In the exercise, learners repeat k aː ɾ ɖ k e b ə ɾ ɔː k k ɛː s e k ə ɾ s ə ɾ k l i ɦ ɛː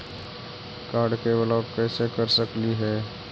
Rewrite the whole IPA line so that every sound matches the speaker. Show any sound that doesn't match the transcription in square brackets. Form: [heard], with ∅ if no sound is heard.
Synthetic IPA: k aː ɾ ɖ k e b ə [l] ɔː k k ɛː s e k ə ɾ s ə [∅] k l i ɦ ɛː